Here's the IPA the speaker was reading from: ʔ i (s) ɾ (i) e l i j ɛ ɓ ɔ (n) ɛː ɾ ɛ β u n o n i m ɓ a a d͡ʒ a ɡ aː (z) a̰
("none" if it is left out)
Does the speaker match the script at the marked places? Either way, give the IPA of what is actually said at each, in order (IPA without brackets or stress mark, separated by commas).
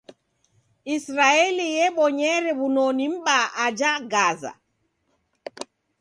s, a, ɲ, z